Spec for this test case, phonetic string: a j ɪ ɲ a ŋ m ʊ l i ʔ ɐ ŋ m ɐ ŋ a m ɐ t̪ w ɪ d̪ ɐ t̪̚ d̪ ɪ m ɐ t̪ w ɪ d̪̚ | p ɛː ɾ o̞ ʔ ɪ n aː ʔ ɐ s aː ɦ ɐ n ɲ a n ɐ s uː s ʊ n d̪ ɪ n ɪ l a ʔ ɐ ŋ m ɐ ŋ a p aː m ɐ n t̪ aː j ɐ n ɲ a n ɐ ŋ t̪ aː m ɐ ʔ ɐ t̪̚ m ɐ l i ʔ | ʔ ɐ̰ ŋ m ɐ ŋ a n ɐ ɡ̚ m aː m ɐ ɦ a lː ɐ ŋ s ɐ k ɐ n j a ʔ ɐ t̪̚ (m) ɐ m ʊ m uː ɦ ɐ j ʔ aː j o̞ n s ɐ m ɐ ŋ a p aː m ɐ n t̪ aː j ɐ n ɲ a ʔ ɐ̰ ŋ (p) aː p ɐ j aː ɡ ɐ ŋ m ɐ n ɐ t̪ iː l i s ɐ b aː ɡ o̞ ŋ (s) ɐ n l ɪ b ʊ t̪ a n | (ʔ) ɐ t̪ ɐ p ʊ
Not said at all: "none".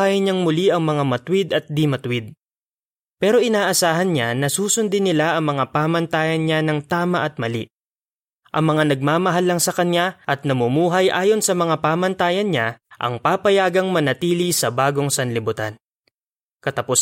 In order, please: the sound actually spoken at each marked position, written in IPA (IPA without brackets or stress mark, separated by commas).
n, p, s, k